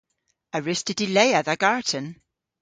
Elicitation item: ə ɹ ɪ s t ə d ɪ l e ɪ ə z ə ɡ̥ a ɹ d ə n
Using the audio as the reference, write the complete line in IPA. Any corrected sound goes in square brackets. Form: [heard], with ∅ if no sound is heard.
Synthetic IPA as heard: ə ɹ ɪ s t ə d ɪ l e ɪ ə [ð] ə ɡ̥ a ɹ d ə n